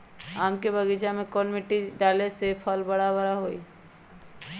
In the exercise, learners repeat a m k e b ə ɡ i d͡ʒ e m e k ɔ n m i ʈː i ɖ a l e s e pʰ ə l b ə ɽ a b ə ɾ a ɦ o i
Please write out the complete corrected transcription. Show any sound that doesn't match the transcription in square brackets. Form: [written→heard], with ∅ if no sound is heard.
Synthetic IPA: a m k e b ə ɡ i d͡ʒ [e→a] m e k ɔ n m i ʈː i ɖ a l e s e pʰ ə l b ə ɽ a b ə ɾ a ɦ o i